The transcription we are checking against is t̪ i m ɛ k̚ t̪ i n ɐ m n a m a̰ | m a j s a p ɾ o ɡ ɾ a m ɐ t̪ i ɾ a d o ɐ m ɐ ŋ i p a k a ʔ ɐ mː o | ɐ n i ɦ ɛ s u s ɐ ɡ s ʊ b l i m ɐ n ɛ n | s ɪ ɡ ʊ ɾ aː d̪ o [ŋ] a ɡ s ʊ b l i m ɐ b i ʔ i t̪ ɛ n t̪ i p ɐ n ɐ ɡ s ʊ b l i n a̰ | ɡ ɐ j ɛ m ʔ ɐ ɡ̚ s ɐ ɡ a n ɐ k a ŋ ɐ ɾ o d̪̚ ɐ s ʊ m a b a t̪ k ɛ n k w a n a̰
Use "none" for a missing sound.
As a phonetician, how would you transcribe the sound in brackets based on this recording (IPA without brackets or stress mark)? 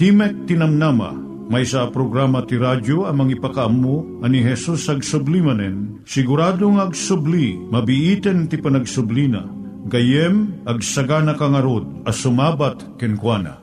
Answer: ŋ